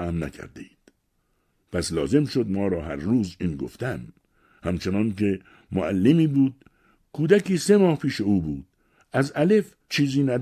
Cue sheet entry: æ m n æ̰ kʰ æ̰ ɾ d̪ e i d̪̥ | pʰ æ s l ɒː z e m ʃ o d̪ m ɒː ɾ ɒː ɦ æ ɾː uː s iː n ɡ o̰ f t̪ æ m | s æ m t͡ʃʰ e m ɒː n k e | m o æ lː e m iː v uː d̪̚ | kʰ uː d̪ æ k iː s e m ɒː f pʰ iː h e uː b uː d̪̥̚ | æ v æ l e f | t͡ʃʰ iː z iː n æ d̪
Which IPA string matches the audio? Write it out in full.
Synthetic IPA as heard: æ m n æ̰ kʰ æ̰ ɾ d̪ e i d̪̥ | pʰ æ s l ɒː z e m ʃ o d̪ m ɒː ɾ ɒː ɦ æ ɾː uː z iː n ɡ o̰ f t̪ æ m | h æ m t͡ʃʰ e n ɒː n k e | m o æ lː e m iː b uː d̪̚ | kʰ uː d̪ æ k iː s e m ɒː h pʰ iː ʃ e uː b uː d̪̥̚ | æ z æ l e f | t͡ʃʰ iː z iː n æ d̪